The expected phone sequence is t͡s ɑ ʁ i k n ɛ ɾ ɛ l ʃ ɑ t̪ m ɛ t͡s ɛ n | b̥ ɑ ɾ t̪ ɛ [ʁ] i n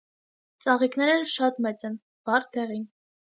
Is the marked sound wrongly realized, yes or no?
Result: no